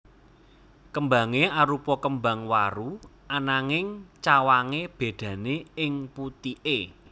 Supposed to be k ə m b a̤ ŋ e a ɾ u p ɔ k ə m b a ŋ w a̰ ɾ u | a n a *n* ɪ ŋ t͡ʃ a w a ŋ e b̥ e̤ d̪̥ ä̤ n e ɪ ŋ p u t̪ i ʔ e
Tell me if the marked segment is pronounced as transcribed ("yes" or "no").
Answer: no